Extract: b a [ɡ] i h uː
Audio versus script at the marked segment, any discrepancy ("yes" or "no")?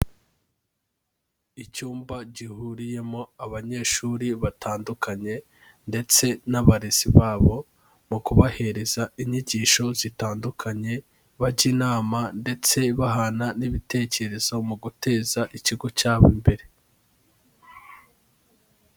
yes